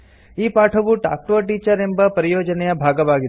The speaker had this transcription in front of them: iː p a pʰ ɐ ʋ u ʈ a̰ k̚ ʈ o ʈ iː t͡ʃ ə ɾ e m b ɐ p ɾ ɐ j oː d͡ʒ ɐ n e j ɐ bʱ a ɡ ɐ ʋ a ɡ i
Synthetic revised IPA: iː p a ʈʰ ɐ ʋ u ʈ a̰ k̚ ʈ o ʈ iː t͡ʃ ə ɾ e m b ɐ p ɾ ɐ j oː d͡ʒ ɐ n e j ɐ bʱ a ɡ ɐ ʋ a ɡ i

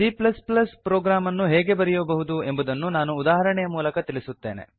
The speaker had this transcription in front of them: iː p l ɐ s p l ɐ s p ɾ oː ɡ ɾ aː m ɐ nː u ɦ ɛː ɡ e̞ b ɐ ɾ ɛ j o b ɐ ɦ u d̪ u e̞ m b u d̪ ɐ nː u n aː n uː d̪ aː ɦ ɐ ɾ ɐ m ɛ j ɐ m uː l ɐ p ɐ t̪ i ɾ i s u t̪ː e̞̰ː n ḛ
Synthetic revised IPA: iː p l ɐ s p l ɐ s p ɾ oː ɡ ɾ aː m ɐ nː u ɦ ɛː ɡ e̞ b ɐ ɾ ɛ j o b ɐ ɦ u d̪ u e̞ m b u d̪ ɐ nː u n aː n uː d̪ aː ɦ ɐ ɾ ɐ ɳ ɛ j ɐ m uː l ɐ k ɐ t̪ i ɭ i s u t̪ː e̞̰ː n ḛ

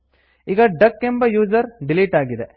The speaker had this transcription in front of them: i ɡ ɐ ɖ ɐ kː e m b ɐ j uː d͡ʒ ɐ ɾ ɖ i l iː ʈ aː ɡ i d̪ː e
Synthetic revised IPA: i ɡ ɐ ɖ ɐ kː e m b ɐ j uː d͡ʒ ɐ ɾ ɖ i l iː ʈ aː ɡ i d̪ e

